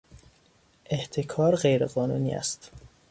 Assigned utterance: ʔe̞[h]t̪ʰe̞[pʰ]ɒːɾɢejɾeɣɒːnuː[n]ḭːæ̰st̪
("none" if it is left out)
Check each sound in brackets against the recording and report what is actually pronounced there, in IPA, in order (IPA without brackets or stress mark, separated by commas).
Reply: h, kʰ, n